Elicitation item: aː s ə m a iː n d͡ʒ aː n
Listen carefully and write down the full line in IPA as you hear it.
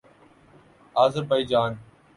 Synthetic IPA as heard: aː z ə b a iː d͡ʒ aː n